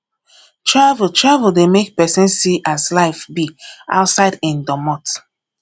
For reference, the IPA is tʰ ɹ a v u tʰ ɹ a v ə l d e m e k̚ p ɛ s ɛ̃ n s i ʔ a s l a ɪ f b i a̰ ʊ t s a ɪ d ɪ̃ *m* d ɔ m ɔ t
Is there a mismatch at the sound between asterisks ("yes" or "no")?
yes